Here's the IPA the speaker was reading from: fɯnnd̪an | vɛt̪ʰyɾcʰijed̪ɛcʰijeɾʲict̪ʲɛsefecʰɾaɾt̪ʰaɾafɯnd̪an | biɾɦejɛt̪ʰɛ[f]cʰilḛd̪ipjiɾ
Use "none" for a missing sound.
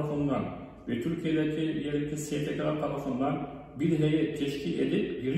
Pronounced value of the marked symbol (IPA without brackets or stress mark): ʃ